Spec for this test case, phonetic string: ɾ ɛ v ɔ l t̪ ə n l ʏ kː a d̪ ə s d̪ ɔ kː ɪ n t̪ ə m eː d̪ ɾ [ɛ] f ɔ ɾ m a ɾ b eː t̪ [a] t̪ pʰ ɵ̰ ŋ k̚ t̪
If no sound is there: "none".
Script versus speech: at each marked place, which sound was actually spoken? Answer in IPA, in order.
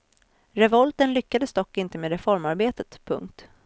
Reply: ɛ, ə

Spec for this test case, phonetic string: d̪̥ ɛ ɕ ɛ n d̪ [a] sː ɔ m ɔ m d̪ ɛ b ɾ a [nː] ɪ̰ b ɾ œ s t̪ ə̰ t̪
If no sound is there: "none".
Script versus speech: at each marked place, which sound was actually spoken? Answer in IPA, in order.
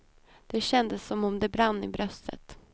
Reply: ə, nː

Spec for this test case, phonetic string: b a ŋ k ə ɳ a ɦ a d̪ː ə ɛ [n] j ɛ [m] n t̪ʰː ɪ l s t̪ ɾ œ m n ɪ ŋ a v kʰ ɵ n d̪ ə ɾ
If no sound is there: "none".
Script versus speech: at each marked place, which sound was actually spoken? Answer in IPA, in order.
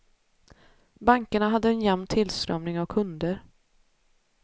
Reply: n, m

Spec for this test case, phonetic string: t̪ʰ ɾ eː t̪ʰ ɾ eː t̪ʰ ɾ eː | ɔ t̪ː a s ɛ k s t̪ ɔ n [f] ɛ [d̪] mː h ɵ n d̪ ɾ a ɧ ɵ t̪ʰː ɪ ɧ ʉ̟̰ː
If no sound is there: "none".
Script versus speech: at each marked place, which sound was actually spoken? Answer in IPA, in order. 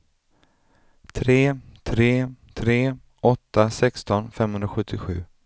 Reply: f, none

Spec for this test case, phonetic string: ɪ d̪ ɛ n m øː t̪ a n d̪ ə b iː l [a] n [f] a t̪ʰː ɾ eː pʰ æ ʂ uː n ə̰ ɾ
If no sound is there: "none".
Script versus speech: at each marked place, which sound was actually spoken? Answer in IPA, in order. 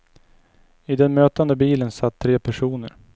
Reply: ə, s

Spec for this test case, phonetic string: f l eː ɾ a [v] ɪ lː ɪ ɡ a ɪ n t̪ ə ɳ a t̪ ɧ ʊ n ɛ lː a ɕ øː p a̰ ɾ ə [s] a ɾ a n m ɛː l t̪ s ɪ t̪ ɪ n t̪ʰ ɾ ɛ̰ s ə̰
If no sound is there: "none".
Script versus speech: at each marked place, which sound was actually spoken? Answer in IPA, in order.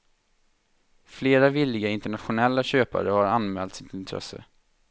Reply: v, h

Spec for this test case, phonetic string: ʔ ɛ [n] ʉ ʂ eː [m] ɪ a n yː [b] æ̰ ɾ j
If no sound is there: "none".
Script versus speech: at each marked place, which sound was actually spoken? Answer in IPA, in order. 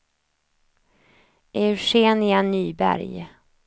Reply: none, n, b

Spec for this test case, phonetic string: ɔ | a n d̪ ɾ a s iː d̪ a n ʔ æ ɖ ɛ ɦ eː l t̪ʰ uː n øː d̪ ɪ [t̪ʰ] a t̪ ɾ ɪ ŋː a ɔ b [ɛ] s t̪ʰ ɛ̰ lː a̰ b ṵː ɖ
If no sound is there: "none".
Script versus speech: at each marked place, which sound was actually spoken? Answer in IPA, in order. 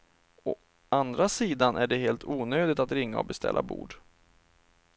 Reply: t̪, ɛ

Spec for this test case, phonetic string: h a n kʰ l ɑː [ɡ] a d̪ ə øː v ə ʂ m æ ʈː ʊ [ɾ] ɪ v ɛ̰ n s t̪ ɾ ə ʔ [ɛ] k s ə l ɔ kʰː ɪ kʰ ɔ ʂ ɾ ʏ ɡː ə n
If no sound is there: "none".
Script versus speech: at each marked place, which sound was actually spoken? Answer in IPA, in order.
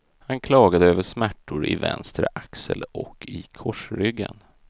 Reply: ɡ, ɾ, a

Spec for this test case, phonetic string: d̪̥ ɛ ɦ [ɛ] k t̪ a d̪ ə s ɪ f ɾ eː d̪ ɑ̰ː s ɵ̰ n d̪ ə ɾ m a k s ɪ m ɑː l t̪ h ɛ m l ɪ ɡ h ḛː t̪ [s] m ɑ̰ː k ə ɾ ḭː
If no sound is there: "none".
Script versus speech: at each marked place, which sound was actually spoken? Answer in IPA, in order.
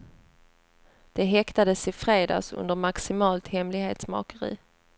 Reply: ɛ, s

